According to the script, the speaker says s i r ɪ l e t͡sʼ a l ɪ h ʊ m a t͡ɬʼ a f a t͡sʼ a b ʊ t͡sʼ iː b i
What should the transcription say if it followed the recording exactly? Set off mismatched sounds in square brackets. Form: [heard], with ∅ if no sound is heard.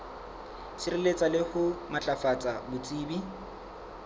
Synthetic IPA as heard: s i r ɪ l e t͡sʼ a l ɪ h ʊ m a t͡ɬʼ a f a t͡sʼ a b ʊ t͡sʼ iː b i